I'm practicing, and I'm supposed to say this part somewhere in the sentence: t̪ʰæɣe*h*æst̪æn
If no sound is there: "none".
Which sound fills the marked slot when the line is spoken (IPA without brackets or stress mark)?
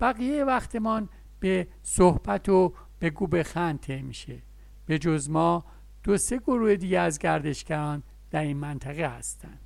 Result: h